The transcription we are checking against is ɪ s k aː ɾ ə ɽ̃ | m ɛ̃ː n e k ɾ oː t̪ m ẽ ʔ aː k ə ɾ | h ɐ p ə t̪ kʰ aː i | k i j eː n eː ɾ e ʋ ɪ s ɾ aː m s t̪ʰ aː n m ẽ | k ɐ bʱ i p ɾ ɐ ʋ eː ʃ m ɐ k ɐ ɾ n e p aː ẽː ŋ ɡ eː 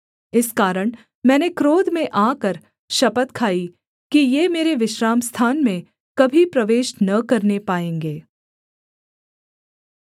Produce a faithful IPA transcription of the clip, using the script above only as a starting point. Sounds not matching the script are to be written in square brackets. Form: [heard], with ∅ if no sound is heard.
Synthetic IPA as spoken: ɪ s k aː ɾ ə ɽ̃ | m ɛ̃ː n e k ɾ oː [d̪] m ẽ ʔ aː k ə ɾ | [ʃ] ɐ p ə t̪ kʰ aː i | k i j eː [m] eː ɾ e ʋ ɪ [ʃ] ɾ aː m s t̪ʰ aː n m ẽ | k ɐ bʱ i p ɾ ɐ ʋ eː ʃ [n] ɐ k ɐ ɾ n e p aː ẽː ŋ ɡ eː